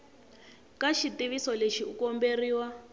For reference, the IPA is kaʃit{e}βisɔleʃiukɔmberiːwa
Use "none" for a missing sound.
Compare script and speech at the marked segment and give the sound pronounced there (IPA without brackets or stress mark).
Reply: i